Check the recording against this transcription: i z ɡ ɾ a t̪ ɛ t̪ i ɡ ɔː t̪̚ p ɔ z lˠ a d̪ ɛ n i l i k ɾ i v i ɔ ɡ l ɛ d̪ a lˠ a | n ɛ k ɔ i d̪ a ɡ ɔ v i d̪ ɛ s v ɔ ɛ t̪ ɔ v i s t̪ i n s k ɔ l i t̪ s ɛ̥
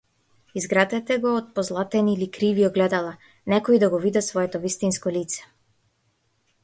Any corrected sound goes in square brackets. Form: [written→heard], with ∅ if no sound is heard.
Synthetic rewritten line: i z ɡ ɾ a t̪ ɛ t̪ [i→ɛ] ɡ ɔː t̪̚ p ɔ z lˠ a [d̪→t̪] ɛ n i l i k ɾ i v i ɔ ɡ l ɛ d̪ a lˠ a | n ɛ k ɔ i d̪ a ɡ ɔ v i d̪ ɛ s v ɔ ɛ t̪ ɔ v i s t̪ i n s k ɔ l i t̪ s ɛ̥